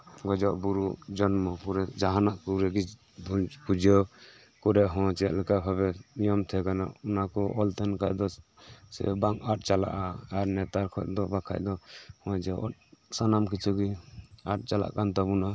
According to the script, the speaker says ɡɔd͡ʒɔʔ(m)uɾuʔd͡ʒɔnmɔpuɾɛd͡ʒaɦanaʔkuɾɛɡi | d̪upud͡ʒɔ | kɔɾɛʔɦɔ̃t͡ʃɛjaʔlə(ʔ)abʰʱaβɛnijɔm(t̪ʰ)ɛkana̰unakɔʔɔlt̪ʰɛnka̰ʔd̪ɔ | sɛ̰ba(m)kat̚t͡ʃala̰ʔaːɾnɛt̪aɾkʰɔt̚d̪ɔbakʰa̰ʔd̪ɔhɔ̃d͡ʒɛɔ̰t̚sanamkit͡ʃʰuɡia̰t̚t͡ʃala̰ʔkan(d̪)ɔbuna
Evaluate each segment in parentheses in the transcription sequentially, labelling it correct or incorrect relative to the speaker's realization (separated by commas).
incorrect, incorrect, correct, incorrect, incorrect